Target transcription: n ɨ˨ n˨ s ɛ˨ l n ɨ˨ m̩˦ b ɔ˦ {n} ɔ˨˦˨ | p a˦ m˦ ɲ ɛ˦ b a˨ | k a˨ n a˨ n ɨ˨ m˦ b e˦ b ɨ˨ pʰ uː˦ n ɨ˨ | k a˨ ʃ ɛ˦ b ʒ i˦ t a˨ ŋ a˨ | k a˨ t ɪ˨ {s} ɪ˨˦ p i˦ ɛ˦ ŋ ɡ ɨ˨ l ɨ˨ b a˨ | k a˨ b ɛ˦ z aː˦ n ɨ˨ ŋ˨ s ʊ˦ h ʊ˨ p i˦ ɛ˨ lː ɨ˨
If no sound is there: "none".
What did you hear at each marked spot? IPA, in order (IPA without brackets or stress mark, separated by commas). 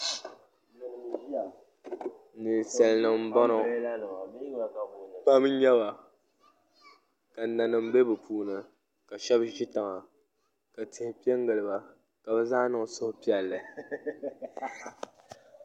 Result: n, h